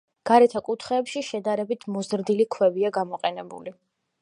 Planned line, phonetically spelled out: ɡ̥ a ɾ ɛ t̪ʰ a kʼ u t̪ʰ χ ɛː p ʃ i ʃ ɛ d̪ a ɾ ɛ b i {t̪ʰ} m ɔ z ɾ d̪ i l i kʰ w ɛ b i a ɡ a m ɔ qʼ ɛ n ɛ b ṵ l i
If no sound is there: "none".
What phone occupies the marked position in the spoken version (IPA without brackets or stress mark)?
t̪ʰ